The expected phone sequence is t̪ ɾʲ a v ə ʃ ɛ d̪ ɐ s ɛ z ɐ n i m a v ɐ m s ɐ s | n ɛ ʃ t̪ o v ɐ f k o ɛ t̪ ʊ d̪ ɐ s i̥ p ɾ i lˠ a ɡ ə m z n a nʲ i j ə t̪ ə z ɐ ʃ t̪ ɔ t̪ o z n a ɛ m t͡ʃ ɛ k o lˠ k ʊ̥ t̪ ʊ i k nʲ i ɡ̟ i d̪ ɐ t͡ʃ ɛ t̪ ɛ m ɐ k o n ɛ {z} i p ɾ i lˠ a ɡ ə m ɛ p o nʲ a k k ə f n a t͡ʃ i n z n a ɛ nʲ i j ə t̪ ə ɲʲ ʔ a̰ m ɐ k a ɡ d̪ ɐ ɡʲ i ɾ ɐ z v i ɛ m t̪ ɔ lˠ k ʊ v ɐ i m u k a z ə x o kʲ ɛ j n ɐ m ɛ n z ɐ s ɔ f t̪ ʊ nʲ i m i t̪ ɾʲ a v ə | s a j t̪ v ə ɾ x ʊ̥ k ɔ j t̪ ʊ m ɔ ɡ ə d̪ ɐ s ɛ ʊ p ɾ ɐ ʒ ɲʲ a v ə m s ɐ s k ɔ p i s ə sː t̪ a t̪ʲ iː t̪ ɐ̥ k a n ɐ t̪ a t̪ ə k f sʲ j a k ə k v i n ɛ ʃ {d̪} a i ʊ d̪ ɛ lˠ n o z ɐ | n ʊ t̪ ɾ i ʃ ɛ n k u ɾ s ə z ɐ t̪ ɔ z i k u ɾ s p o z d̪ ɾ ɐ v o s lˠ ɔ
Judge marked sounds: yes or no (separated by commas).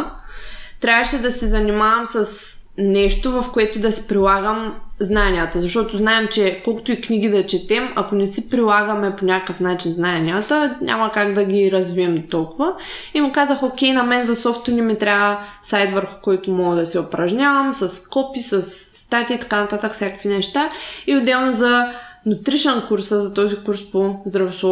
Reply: no, no